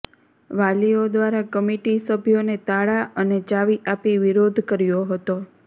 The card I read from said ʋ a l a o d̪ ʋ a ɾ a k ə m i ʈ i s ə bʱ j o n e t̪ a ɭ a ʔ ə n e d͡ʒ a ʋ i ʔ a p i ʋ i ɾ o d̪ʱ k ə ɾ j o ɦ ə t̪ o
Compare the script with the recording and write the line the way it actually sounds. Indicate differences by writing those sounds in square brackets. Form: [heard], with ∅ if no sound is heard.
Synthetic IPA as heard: ʋ a l [i] o d̪ ʋ a ɾ a k ə m i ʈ i s ə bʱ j o n e t̪ a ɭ a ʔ ə n e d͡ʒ a ʋ i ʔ a p i ʋ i ɾ o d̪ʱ k ə ɾ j o ɦ ə t̪ o